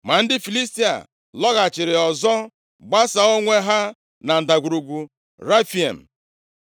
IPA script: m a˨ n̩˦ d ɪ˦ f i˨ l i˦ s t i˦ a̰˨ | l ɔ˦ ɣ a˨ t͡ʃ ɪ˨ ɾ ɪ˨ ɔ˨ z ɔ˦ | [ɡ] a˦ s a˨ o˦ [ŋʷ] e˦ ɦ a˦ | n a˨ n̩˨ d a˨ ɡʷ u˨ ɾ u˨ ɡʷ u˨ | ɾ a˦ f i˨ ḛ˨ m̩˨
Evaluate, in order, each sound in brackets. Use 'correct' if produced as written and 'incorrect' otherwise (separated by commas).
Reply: incorrect, correct